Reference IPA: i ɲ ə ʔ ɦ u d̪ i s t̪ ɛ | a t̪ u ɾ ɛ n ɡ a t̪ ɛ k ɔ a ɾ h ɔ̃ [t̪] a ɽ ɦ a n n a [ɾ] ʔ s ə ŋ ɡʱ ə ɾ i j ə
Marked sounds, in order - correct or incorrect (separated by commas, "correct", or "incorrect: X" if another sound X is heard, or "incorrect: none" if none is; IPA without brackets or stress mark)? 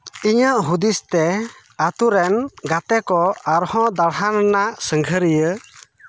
incorrect: d̪, incorrect: none